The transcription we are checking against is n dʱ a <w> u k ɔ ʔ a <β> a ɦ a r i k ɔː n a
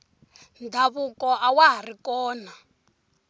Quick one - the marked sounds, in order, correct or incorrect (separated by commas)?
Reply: incorrect, incorrect